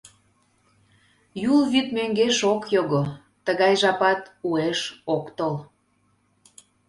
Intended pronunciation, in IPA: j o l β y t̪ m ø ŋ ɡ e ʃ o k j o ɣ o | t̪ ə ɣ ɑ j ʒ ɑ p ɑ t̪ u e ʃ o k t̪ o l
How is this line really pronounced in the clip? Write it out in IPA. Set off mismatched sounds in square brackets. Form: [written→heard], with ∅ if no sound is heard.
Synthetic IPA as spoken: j [o→u] l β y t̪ m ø ŋ ɡ e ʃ o k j o ɣ o | t̪ ə ɣ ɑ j ʒ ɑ p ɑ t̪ u e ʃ o k t̪ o l